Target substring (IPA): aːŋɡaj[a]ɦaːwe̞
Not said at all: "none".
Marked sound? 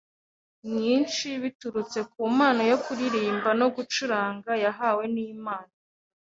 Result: a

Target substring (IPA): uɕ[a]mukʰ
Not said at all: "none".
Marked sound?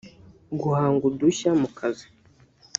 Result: a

